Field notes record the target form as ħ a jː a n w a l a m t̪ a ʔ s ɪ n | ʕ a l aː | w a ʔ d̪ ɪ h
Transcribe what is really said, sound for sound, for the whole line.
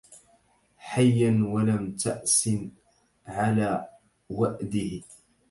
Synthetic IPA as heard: ħ a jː a n w a l a m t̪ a ʔ s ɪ n | ʕ a l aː | w a ʔ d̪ ɪ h